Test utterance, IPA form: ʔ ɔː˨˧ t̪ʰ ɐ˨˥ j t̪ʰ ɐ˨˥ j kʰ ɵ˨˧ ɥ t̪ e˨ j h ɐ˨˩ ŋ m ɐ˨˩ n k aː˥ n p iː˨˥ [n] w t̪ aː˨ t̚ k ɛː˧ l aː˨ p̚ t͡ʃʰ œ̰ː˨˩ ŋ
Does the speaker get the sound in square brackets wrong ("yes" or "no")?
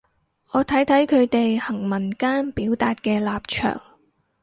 yes